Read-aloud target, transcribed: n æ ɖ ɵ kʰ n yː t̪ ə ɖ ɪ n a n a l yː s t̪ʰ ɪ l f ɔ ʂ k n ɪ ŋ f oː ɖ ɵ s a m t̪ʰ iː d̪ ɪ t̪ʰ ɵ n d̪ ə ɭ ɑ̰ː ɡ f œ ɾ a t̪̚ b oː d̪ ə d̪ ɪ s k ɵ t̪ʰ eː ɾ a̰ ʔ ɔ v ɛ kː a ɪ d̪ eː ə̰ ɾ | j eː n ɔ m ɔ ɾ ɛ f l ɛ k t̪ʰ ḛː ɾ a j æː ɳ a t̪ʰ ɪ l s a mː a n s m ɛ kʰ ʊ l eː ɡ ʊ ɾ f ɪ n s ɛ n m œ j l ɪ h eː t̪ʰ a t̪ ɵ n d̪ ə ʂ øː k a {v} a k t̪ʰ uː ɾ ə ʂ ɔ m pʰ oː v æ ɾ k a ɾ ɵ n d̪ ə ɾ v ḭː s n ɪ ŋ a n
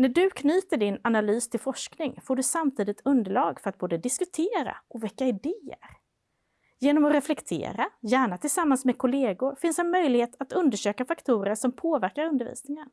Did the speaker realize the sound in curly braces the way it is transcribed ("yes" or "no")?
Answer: no